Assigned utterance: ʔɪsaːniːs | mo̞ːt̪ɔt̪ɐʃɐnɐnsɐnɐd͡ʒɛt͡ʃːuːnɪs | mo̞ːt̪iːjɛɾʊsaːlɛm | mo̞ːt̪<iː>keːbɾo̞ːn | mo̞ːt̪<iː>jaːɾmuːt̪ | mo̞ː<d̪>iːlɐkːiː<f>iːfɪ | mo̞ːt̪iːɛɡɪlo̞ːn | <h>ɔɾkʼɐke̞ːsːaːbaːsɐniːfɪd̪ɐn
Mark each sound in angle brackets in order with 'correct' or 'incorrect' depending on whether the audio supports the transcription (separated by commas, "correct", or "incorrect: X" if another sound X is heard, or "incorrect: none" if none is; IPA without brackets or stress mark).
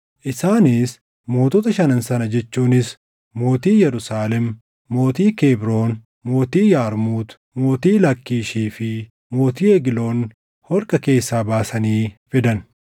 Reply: correct, correct, incorrect: t̪, incorrect: ʃ, correct